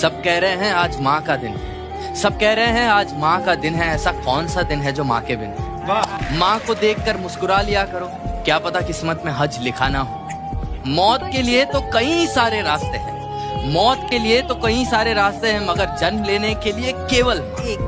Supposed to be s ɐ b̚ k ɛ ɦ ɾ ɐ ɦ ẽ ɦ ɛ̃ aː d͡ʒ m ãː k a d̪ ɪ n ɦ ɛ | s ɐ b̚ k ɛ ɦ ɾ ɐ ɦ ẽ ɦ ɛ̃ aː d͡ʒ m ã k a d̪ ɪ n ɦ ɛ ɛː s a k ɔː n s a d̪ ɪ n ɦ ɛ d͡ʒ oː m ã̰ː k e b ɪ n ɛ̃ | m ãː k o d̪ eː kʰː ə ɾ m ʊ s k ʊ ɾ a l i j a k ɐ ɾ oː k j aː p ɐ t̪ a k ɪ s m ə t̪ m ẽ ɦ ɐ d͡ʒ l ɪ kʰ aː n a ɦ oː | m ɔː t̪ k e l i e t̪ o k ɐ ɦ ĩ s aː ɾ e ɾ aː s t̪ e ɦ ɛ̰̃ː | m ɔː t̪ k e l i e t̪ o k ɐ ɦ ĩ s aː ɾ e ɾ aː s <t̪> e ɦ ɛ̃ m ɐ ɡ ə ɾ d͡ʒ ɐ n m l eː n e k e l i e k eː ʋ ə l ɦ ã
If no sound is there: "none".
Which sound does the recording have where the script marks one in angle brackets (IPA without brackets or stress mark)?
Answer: t̪